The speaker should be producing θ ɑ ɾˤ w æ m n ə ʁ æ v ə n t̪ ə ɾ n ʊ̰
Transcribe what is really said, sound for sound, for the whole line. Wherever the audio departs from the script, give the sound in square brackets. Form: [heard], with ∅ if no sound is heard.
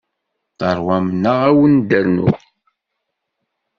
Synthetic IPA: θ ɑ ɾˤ w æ m n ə ʁ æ [w] ə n [d̪] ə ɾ n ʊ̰